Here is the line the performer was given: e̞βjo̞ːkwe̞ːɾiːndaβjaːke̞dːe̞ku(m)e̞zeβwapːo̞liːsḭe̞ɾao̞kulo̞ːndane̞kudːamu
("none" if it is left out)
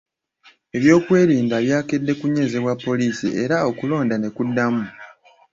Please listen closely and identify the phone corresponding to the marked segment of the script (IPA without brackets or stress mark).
ɲ